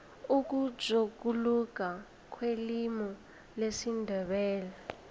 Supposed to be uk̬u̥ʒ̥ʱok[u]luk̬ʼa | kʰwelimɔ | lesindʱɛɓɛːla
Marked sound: correct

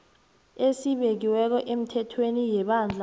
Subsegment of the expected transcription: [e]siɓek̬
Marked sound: correct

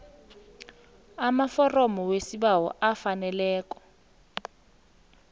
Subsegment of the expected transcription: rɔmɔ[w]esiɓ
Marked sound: correct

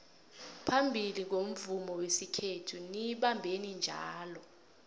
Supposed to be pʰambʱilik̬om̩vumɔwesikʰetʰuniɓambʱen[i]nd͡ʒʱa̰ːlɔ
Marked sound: correct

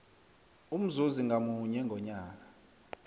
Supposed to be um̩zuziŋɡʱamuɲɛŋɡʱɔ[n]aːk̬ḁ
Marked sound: incorrect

